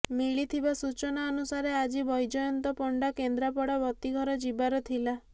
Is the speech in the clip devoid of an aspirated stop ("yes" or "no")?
no